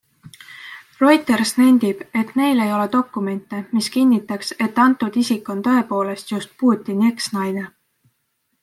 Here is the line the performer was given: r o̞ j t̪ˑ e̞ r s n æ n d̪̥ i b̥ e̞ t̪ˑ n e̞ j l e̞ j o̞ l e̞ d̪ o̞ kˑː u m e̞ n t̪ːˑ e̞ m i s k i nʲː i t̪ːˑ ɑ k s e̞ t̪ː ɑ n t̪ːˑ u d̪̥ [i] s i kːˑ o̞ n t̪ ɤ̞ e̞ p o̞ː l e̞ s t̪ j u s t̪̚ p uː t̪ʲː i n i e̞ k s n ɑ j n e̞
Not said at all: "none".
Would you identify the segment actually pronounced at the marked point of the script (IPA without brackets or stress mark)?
i